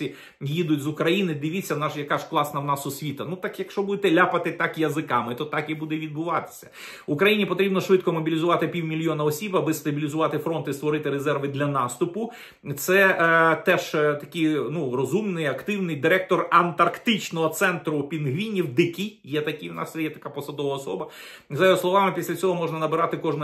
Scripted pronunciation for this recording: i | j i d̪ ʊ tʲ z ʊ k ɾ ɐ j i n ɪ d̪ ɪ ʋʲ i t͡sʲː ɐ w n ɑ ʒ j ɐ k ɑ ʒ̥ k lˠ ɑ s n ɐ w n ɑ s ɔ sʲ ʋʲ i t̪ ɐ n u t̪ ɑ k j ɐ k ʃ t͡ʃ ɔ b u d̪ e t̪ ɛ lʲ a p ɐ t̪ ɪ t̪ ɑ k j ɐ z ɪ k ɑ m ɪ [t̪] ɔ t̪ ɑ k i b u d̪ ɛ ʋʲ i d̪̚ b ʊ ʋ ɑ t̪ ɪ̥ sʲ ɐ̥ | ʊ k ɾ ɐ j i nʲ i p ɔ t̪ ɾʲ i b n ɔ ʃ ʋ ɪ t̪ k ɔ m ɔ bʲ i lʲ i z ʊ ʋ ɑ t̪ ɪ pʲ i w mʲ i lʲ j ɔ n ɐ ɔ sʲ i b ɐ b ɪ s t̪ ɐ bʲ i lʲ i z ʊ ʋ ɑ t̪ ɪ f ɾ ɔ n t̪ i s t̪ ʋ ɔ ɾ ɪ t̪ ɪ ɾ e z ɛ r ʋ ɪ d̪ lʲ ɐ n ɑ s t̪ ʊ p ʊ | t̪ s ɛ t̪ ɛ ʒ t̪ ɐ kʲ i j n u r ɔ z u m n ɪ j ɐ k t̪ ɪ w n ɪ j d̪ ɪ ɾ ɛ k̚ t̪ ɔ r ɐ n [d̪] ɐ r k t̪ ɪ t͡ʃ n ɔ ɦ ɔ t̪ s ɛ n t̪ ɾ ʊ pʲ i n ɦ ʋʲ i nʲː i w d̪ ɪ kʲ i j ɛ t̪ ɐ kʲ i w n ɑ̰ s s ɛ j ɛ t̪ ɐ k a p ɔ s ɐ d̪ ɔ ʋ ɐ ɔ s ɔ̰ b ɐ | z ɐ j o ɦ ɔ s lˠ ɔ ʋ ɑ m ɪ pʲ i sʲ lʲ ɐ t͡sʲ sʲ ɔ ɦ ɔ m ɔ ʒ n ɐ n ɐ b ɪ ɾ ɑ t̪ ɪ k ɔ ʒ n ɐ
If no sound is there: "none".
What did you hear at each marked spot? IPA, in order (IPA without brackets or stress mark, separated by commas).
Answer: t̪, t̪